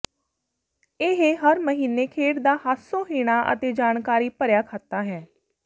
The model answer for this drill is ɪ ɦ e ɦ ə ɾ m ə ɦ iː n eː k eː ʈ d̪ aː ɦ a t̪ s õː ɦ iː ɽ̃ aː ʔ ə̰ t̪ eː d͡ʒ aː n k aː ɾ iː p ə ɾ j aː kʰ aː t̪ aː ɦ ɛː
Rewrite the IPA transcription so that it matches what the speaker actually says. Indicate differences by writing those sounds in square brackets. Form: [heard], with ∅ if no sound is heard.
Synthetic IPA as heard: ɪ ɦ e ɦ ə ɾ m ə ɦ iː n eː [kʰ] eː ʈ d̪ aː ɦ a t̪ s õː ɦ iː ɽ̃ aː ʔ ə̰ t̪ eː d͡ʒ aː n k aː ɾ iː p ə ɾ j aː kʰ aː t̪ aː ɦ ɛː